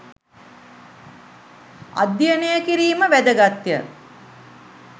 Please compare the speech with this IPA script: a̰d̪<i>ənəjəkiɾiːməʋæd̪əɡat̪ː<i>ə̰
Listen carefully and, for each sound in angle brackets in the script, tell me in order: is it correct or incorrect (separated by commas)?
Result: incorrect, incorrect